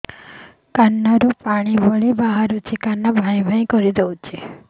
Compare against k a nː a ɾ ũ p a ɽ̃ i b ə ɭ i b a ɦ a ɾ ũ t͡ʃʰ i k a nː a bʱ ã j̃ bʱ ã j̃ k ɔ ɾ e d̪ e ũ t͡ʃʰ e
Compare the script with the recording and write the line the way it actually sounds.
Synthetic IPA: k a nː a ɾ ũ p a ɽ̃ i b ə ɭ i b a ɦ a ɾ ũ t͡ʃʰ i k a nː a bʱ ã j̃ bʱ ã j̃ k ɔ ɾ i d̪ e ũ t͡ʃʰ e